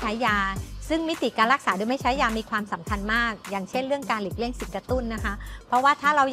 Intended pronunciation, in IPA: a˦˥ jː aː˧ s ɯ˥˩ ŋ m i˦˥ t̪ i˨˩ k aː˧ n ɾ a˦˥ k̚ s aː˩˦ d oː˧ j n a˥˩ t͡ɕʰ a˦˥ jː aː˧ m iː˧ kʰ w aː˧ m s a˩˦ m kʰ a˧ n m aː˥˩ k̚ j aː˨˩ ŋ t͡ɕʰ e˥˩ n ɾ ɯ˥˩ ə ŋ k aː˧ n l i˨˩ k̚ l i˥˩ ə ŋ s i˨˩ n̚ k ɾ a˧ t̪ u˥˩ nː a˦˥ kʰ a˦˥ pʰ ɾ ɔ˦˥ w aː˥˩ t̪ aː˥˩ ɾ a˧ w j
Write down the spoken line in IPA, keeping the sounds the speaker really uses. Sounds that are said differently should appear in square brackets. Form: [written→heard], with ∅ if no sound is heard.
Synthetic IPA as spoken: a˦˥ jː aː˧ s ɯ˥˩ ŋ m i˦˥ t̪ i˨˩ k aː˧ n ɾ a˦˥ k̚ s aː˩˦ d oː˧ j [n→m] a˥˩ t͡ɕʰ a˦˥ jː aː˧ m iː˧ kʰ w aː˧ m s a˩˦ m kʰ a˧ n m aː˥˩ k̚ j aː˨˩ ŋ t͡ɕʰ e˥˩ n ɾ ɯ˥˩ ə ŋ k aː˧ n l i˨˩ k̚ l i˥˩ ə ŋ s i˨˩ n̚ k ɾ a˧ t̪ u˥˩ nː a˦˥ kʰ a˦˥ pʰ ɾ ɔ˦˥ w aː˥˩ [t̪→t̪ʰ] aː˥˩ ɾ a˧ w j